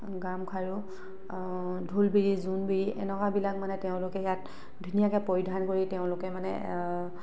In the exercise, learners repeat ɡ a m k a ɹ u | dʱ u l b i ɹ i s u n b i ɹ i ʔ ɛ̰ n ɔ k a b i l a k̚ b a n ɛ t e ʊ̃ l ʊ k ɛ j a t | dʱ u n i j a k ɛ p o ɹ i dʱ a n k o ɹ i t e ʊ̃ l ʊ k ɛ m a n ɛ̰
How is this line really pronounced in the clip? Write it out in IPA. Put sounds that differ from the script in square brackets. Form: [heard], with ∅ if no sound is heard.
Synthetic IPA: ɡ a m [kʰ] a ɹ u | dʱ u l b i ɹ i [z] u n b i ɹ i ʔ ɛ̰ n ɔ k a b i l a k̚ [m] a n ɛ t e ʊ̃ l ʊ k ɛ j a t | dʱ u n i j a k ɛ p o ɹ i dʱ a n k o ɹ i t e ʊ̃ l ʊ k ɛ m a n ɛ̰